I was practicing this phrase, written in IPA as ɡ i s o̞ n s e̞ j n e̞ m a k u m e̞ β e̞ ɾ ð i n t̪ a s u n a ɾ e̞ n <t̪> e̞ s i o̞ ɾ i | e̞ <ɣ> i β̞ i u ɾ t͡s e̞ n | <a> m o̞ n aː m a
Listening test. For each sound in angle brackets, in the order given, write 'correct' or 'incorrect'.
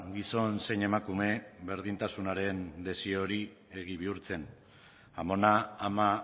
incorrect: d̪, correct, correct

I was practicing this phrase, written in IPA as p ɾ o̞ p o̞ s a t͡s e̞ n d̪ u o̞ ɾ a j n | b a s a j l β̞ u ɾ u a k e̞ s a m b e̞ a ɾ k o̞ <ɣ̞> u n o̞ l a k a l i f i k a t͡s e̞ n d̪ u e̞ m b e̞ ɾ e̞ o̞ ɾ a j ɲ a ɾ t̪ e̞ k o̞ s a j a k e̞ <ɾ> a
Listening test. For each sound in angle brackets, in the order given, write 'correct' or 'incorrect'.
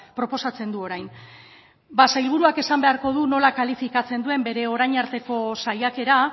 incorrect: ð̞, correct

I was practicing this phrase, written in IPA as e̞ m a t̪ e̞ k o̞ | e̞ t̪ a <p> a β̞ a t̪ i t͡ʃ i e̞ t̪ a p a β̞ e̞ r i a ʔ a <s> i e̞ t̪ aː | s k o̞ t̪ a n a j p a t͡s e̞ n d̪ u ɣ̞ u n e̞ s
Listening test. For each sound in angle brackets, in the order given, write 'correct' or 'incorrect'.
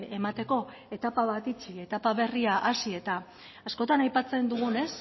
correct, correct

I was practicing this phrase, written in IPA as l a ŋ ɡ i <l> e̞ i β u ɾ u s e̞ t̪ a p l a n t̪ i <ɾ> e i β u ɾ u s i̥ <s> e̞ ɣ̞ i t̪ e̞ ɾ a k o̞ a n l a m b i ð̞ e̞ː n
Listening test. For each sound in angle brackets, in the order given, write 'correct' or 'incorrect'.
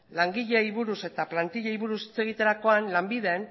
incorrect: ʎ, incorrect: ʎ, incorrect: t͡s

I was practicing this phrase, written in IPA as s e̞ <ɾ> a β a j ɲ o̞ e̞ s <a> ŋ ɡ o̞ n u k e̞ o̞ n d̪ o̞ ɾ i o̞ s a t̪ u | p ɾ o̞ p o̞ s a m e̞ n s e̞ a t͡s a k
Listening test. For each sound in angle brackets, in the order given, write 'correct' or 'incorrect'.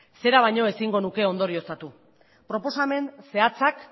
correct, incorrect: i

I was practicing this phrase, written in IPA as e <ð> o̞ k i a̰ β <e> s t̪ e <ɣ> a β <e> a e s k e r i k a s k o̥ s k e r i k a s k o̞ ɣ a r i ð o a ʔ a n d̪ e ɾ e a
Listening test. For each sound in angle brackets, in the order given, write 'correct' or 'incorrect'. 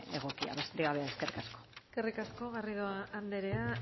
incorrect: ɣ, correct, correct, correct

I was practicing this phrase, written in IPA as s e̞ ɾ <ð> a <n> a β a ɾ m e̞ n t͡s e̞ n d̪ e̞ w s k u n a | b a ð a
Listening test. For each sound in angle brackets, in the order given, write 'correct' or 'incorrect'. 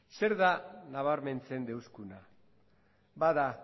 correct, correct

